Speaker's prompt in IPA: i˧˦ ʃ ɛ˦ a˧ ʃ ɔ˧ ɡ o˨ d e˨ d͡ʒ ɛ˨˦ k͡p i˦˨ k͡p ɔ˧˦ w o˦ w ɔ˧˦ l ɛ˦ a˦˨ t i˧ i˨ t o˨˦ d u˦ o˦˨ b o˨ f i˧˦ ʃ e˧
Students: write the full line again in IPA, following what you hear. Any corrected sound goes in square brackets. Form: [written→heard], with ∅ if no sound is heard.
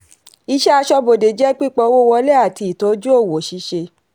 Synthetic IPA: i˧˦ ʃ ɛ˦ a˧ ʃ ɔ˧ [ɡ→b] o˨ d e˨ d͡ʒ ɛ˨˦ k͡p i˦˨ k͡p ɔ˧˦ w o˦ w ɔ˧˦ l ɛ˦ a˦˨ t i˧ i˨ t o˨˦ [d→d͡ʒ] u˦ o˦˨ [b→w] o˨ [f→ʃ] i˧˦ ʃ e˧